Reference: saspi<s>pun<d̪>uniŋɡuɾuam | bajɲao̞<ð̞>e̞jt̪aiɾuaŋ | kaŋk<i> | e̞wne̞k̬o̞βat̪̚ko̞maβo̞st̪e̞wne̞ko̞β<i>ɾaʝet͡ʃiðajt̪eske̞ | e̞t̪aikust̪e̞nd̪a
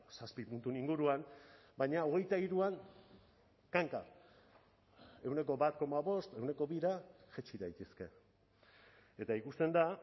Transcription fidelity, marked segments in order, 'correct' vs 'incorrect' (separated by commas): incorrect, incorrect, incorrect, incorrect, correct